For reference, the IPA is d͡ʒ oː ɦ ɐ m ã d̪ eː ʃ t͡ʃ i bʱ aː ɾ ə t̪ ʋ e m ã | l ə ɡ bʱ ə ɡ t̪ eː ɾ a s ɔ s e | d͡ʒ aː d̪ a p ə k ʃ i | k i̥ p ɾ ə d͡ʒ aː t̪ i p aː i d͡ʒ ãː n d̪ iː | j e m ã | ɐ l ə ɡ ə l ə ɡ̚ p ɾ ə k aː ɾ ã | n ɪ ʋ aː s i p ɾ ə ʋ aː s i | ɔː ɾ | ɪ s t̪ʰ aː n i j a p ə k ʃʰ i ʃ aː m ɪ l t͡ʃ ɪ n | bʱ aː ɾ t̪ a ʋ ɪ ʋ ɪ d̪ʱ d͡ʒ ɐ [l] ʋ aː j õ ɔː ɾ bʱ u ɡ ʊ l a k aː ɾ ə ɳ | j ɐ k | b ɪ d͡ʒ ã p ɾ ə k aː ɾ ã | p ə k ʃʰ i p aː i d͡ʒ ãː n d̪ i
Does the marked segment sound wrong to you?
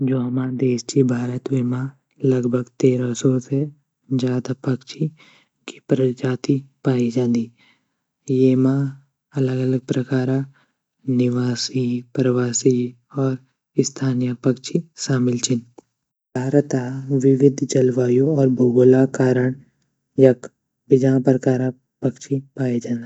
no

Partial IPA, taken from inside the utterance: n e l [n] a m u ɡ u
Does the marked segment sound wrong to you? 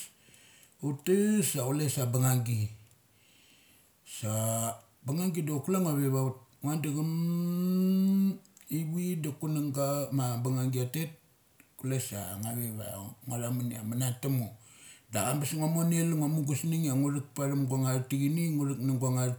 yes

